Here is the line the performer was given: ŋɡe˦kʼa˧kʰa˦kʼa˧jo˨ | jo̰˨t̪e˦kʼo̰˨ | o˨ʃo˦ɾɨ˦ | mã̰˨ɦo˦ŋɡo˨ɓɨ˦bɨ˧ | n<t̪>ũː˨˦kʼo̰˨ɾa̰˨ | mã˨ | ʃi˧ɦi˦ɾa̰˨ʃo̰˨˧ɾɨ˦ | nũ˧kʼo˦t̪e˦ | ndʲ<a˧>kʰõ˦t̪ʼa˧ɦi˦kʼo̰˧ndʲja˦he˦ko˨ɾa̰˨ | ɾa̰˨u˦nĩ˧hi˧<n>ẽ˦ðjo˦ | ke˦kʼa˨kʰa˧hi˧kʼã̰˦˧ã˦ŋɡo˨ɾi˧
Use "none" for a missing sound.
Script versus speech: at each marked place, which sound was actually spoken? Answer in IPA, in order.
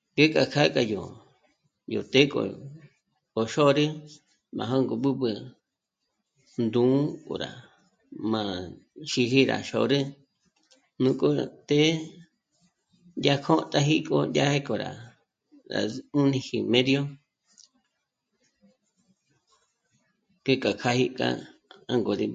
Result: d̪, a˧, m

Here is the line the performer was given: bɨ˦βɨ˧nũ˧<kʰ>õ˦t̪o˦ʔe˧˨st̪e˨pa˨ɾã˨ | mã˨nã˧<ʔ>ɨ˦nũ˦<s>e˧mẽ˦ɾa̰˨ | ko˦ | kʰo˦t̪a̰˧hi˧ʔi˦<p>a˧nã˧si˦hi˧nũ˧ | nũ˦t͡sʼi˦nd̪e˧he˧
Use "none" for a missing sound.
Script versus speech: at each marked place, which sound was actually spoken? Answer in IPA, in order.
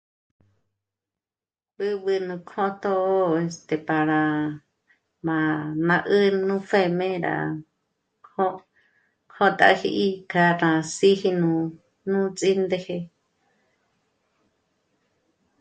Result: kʰ, ʔ, f, k

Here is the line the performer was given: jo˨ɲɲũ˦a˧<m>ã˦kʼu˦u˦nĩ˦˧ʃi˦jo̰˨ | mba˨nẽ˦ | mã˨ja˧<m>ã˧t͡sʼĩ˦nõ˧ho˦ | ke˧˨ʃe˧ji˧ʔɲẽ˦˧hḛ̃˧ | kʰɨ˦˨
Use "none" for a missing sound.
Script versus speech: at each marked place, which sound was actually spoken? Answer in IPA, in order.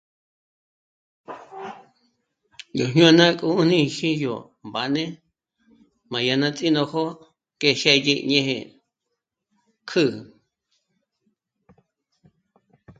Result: n, n

